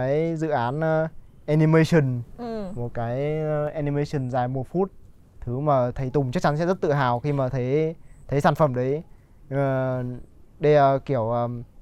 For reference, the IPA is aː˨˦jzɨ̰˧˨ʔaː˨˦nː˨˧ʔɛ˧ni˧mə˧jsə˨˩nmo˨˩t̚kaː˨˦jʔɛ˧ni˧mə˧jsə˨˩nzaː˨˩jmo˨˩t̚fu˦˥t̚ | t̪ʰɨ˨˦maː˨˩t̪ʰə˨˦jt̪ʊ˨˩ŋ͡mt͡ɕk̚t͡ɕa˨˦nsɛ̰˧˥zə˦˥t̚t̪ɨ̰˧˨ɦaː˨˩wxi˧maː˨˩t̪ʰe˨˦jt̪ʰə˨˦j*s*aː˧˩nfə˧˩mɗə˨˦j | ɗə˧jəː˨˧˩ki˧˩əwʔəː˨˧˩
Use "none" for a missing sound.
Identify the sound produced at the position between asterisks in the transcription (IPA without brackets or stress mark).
s